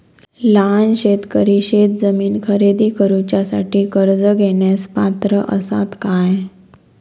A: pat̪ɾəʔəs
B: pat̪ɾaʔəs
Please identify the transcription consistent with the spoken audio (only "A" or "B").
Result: A